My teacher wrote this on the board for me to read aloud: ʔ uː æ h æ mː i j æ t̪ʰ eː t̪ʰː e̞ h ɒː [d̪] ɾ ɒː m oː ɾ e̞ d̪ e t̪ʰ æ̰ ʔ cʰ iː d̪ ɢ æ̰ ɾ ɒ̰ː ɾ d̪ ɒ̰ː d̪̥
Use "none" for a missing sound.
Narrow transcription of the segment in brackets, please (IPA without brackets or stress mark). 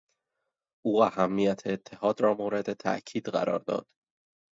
d̪